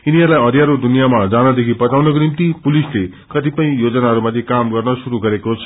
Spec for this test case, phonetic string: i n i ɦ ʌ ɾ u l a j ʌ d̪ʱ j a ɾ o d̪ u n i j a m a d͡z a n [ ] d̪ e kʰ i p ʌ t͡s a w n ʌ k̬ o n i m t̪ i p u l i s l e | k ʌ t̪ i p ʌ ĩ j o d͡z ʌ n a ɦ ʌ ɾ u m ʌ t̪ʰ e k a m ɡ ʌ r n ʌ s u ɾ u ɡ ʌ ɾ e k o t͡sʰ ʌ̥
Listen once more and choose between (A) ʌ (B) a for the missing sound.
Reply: A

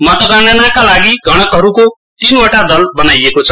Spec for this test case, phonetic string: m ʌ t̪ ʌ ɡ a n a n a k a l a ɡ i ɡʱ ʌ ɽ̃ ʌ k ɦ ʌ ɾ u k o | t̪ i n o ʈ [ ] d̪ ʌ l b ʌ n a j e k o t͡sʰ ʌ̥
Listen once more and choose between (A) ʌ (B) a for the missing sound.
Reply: B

